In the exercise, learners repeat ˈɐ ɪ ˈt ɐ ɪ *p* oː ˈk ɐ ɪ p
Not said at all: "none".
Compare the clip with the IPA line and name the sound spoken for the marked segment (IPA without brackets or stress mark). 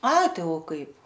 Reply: none